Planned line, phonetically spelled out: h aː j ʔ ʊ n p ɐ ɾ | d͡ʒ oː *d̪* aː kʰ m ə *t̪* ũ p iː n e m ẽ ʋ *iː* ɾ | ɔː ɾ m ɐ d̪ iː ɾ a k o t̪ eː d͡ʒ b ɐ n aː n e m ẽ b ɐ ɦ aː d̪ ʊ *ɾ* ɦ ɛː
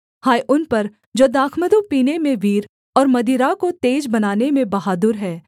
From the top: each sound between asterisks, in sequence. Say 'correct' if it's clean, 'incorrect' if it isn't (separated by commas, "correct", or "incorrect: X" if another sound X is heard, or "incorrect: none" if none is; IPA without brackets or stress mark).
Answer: correct, incorrect: d̪, correct, correct